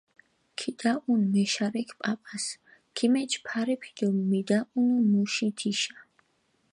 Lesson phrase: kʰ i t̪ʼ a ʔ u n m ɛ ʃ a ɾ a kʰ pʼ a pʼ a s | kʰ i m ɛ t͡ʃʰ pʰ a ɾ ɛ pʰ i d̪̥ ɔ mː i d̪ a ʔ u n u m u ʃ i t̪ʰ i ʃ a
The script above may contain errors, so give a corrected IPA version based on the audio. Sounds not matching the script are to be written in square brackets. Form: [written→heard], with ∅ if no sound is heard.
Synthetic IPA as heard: kʰ i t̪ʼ a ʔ u n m ɛ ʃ a ɾ [a→ɛ] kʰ pʼ a pʼ a s | kʰ i m ɛ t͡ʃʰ pʰ a ɾ ɛ pʰ i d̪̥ ɔ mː i d̪ a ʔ u n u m u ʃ i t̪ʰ i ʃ a